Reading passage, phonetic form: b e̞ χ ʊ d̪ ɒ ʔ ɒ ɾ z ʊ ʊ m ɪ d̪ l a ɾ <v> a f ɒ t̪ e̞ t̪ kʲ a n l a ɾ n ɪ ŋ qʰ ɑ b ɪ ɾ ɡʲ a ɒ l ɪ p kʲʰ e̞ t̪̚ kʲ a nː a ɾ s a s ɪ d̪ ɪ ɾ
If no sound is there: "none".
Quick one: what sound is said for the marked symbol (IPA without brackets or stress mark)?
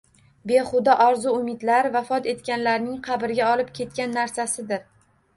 v